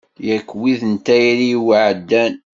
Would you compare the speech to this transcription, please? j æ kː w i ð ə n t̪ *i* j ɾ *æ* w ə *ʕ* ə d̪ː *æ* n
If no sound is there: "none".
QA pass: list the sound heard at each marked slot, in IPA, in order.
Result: æ, i, ʕ, æ

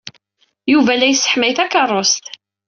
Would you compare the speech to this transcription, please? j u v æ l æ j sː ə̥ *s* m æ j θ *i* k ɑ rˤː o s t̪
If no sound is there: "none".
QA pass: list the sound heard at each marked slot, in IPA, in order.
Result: ħ, æ

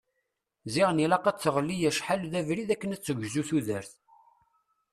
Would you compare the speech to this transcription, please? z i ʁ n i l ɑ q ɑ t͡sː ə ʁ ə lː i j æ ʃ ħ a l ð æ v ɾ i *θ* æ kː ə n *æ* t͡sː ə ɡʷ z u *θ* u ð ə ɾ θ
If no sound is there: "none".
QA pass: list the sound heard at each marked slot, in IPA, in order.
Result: ð, æ, θ

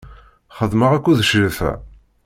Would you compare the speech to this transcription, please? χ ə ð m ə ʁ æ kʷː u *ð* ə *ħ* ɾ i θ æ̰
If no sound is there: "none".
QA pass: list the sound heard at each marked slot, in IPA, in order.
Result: ð, ʃ

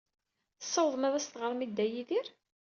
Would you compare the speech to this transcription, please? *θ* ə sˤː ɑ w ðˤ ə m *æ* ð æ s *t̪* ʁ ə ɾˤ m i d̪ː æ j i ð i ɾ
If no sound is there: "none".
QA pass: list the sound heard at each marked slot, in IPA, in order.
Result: θ, æ, t̪

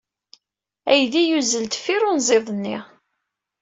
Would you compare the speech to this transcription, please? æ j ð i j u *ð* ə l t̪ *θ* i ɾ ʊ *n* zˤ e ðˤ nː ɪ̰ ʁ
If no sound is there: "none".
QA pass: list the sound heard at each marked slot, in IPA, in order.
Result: z, f, n

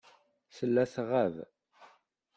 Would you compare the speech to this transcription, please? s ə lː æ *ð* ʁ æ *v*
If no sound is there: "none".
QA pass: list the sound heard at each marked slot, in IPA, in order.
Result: θ, v

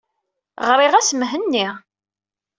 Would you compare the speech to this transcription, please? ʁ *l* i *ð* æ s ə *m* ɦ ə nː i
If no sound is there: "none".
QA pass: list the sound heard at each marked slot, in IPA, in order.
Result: ɾ, ʁ, m

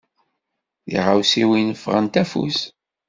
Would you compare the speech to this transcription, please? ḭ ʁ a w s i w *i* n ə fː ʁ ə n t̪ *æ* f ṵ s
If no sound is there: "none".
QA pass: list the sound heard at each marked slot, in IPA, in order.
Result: i, æ

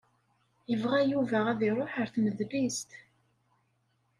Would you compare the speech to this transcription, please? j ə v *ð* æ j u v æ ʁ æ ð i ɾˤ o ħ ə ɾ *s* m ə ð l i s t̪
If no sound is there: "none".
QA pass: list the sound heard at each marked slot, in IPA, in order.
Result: ʁ, θ

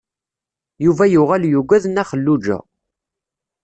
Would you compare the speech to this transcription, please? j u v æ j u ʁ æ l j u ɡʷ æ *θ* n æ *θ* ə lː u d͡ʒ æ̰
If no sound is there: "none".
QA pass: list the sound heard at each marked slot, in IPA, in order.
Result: ð, χ

